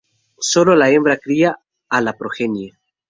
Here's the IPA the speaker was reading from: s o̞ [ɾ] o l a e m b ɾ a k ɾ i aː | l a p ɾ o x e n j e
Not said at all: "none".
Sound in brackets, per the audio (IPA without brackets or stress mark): l